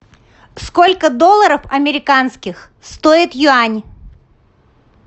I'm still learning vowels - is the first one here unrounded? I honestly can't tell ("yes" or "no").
no